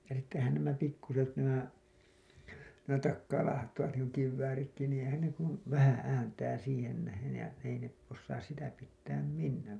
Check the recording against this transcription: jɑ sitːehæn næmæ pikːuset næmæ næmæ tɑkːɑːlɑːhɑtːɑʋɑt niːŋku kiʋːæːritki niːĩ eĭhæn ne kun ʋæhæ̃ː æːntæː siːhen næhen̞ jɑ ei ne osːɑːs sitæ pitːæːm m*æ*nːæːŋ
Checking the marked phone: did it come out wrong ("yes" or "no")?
yes